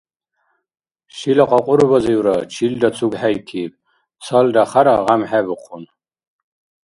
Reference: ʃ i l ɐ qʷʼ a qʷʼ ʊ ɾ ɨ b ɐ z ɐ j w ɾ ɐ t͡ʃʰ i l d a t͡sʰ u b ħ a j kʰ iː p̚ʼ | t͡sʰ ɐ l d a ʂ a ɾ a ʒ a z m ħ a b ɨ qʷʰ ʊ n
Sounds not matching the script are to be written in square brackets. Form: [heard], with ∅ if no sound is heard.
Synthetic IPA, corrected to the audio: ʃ i l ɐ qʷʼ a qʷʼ ʊ ɾ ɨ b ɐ z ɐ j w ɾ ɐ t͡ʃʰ i l d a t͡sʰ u [ɡ] ħ a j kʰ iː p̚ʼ | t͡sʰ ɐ l d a [χ] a ɾ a [ʁ] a [∅] m ħ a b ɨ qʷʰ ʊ n